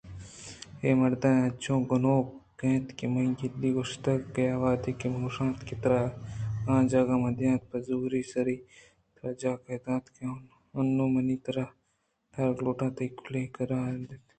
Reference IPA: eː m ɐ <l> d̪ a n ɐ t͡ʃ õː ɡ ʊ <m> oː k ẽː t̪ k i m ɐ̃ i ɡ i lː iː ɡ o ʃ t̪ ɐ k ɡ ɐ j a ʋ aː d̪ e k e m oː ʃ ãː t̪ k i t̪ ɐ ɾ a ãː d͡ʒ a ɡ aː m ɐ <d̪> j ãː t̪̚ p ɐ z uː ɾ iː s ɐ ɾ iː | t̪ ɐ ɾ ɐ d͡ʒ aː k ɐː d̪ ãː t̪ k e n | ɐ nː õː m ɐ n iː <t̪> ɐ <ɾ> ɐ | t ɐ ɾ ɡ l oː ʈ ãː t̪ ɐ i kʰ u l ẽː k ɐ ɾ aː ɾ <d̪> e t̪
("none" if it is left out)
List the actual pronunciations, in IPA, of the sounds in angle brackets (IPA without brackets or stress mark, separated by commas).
ɾ, n, d̪, t̪, ɾ, d̪